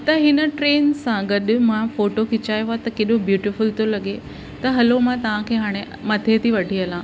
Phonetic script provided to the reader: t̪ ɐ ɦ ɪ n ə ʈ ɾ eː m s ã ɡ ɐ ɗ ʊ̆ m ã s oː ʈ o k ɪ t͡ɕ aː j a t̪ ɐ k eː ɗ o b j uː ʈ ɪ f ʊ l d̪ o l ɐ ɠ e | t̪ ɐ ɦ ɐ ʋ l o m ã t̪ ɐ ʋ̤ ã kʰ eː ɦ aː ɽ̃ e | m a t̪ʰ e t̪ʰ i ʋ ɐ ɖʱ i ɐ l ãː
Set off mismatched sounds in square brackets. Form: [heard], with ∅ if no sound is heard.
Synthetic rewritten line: t̪ ɐ ɦ ɪ n ə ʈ ɾ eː [n] s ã ɡ ɐ ɗ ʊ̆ m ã [f] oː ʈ o k ɪ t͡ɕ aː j a t̪ ɐ k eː ɗ o b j uː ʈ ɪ f ʊ l [t̪] o l ɐ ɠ e | t̪ ɐ ɦ ɐ [∅] l o m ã t̪ ɐ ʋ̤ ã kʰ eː ɦ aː ɽ̃ e | m [ɐ] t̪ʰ e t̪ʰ i ʋ ɐ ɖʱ i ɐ l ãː